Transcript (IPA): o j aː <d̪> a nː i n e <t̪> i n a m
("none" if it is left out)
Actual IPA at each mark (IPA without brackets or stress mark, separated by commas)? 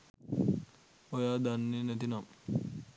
d̪, t̪